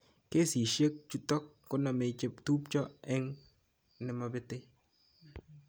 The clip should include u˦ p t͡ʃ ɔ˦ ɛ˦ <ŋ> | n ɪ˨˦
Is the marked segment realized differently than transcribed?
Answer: no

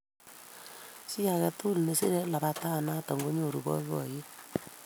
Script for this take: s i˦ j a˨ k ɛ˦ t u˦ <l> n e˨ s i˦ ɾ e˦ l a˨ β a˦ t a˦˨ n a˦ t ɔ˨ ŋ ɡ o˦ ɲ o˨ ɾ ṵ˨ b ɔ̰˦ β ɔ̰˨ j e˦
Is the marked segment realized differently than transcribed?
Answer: no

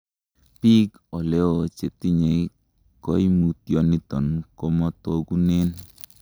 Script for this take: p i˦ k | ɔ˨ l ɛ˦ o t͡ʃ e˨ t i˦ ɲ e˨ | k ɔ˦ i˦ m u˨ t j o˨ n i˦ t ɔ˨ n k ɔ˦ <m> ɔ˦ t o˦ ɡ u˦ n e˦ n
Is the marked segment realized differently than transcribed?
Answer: no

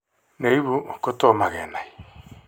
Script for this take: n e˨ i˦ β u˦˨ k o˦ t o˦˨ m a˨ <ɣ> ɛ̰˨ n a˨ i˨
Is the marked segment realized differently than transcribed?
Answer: no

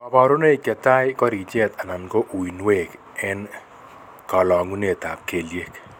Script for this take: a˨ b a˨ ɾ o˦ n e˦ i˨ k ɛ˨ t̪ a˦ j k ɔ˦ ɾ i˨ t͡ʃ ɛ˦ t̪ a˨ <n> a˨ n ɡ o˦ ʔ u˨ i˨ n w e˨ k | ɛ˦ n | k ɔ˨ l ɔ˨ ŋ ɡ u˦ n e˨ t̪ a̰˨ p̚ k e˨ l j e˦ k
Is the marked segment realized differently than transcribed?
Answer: no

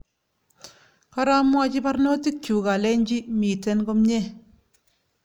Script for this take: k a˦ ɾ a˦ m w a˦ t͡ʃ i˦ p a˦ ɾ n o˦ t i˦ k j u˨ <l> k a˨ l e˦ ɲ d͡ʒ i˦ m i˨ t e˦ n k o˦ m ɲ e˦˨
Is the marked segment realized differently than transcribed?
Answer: yes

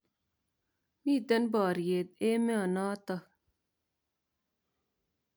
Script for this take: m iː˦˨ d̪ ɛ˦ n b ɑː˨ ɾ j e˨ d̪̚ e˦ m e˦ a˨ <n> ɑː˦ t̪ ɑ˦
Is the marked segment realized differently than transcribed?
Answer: no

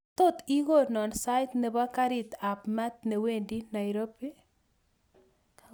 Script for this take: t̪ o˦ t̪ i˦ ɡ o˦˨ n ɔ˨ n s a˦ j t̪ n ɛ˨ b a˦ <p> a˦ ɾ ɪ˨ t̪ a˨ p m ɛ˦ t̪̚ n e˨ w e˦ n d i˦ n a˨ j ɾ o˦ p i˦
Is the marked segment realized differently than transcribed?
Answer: yes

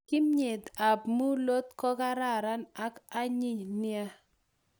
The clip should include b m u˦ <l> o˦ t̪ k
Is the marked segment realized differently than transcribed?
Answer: no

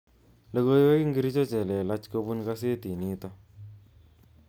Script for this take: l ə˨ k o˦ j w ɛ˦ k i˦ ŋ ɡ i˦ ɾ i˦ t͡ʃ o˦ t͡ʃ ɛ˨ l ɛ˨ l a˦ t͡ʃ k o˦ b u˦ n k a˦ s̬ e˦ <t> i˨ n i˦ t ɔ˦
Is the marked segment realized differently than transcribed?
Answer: no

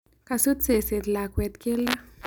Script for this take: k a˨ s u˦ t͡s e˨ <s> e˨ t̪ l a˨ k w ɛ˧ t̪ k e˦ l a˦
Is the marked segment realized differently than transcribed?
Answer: no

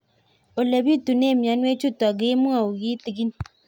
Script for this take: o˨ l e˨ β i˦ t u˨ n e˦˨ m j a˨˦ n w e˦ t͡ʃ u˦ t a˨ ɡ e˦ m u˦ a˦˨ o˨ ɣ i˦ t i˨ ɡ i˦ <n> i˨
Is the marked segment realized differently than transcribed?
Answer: no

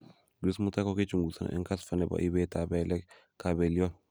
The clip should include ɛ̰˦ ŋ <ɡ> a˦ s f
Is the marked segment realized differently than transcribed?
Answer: yes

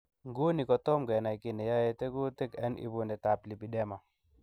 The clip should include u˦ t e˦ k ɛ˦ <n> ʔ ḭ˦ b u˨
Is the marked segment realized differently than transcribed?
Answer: no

